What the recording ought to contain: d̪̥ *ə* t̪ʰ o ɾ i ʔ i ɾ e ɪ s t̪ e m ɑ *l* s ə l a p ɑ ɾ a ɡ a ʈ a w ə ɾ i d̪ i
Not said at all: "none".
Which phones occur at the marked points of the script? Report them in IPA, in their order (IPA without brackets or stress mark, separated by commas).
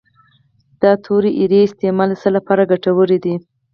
ɑ, l